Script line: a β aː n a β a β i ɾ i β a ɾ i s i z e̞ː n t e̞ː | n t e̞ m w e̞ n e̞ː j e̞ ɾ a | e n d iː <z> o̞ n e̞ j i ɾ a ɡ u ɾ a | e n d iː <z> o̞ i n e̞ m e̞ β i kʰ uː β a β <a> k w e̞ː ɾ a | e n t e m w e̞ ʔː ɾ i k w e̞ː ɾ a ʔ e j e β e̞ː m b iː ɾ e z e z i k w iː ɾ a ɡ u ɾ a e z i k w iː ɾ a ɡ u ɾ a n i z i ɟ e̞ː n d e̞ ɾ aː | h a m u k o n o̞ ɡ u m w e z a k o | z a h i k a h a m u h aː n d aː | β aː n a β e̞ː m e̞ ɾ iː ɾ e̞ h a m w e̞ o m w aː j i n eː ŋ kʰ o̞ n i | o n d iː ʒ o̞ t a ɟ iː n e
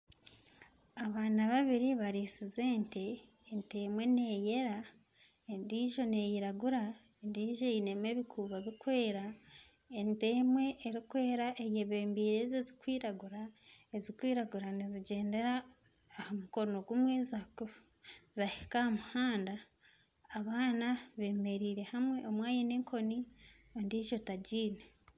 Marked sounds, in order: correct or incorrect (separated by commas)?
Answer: incorrect, incorrect, incorrect